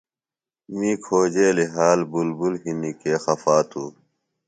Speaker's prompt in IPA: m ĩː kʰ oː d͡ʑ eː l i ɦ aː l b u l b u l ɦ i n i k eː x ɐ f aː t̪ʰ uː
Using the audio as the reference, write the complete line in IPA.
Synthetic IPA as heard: m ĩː kʰ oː d͡ʑ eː l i ɦ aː l b u l b u l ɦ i n i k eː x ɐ f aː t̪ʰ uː